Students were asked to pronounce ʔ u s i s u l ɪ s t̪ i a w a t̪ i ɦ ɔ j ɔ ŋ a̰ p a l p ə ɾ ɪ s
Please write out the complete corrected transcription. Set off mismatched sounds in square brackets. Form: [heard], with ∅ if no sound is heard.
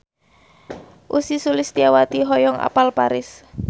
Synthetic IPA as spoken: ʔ u s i s u l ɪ s t̪ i a w a t̪ i ɦ ɔ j ɔ ŋ a̰ p a l p [a] ɾ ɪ s